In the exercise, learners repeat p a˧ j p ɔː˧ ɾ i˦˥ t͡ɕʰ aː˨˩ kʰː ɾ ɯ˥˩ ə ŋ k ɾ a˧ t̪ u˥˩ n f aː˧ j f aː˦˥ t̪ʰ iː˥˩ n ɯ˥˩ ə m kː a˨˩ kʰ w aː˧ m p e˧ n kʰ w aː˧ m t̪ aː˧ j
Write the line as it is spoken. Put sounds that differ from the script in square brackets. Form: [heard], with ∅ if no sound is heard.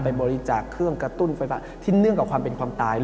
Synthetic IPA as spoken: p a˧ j [b] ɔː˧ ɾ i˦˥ [t͡ɕ] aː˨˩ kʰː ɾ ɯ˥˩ ə ŋ k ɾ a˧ t̪ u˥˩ n f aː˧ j f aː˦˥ t̪ʰ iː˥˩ n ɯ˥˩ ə [ŋ] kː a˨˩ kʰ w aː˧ m p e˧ n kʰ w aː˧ m t̪ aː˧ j